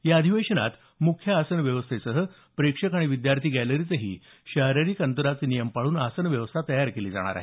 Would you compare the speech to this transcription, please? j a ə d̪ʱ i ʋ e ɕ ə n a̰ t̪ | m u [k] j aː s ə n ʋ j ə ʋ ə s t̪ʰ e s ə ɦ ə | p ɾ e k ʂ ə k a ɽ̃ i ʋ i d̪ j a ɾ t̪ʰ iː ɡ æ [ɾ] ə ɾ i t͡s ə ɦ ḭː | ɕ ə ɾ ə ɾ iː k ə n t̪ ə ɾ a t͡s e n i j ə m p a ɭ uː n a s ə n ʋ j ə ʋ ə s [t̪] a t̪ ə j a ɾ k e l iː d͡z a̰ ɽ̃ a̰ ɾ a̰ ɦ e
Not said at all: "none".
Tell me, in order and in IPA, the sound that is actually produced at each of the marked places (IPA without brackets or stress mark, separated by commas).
kʰ, l, t̪ʰ